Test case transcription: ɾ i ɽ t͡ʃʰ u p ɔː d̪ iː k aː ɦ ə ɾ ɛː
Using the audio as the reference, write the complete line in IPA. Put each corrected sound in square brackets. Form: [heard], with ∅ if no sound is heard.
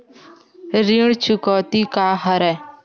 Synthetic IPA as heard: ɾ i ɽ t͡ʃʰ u [k] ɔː [t̪] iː k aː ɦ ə ɾ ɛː